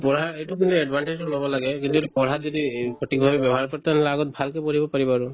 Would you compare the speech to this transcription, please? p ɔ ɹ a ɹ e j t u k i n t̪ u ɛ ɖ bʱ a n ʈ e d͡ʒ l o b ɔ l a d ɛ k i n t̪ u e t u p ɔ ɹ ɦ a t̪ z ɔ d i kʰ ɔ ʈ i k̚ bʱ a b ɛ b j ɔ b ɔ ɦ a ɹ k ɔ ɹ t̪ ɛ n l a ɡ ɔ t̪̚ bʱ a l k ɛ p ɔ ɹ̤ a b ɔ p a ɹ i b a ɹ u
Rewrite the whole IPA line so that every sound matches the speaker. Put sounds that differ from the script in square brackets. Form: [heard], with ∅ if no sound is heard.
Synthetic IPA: p ɔ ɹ a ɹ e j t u k i n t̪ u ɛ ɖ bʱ a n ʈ e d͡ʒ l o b ɔ l a [ɡ] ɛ k i n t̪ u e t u p ɔ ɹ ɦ a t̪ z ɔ d i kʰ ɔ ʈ i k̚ bʱ a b ɛ b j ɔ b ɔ ɦ a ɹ k ɔ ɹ t̪ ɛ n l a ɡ ɔ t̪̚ bʱ a l k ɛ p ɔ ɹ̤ [i] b ɔ p a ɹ i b a ɹ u